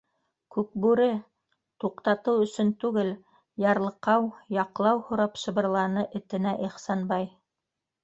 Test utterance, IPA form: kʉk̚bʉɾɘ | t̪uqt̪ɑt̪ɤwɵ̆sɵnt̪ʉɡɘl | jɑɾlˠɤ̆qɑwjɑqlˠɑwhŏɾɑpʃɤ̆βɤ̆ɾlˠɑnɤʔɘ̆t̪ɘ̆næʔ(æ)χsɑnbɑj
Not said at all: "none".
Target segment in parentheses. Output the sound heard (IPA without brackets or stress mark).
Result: i